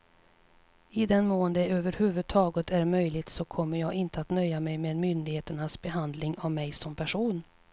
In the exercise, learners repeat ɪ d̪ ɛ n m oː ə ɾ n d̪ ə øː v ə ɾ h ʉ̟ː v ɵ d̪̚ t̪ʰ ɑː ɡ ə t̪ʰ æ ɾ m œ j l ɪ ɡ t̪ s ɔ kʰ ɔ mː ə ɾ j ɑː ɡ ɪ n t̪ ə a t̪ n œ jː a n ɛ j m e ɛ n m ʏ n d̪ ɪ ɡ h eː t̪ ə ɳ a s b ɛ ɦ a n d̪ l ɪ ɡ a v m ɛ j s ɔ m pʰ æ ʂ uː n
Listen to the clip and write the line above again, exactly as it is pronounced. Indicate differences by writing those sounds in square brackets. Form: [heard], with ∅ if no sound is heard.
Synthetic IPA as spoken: ɪ d̪ ɛ n m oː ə [∅] n d̪ ə øː v ə ɾ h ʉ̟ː v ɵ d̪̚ t̪ʰ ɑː ɡ ə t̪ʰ æ ɾ m œ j l ɪ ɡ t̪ s ɔ kʰ ɔ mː ə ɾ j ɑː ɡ ɪ n t̪ ə a t̪ n œ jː a [m] ɛ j m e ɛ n m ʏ n d̪ ɪ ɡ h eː t̪ ə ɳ a s b ɛ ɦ a n d̪ l ɪ [ŋ] a v m ɛ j s ɔ m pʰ æ ʂ uː n